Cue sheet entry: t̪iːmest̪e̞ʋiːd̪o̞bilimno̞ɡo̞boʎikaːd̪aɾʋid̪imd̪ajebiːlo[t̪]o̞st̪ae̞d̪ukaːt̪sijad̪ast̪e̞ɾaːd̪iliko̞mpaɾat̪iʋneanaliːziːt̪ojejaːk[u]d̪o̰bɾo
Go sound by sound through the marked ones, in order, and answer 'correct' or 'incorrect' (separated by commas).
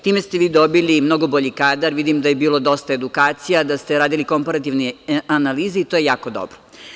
incorrect, incorrect